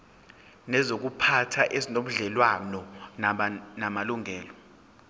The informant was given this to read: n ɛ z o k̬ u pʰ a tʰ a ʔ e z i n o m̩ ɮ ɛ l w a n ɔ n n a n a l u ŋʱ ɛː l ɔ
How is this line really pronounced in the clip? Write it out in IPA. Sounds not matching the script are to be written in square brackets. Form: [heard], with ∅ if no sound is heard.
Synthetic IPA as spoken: n ɛ z o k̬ u pʰ a tʰ a ʔ e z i n o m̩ ɮ ɛ l w a n ɔ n n a [m] a l u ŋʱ ɛː l ɔ